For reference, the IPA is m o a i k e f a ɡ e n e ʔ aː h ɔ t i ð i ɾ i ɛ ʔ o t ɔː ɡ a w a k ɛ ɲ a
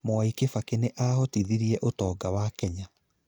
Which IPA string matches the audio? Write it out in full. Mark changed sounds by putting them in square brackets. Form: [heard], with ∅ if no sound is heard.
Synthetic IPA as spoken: m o a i k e f a [k] e n e ʔ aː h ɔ t i ð i ɾ i ɛ ʔ o t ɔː ɡ a w a k ɛ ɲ a